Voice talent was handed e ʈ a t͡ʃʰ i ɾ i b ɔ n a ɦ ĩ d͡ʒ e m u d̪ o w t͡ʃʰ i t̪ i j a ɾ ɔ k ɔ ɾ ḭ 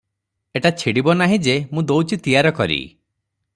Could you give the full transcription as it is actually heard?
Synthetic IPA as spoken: e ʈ a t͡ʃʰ i ɽ i b ɔ n a ɦ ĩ d͡ʒ e m ũ d̪ o w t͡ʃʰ i t̪ i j a ɾ ɔ k ɔ ɾ ḭ